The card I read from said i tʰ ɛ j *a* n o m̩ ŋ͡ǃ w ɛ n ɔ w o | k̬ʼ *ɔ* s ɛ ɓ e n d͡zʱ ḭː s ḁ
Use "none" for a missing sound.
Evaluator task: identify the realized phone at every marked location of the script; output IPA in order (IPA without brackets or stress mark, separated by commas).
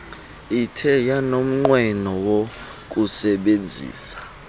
a, u